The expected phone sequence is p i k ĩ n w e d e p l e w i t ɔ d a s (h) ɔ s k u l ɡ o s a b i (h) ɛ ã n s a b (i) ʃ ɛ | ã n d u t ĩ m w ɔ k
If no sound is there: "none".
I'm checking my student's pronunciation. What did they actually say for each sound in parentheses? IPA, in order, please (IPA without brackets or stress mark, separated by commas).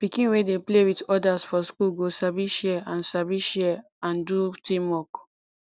f, ʃ, i